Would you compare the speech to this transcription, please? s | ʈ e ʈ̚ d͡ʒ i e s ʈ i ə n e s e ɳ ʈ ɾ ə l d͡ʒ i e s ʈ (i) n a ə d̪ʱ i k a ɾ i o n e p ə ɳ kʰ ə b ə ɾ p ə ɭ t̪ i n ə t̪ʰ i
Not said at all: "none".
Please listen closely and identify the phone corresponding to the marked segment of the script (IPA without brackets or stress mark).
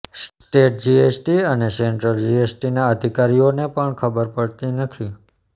i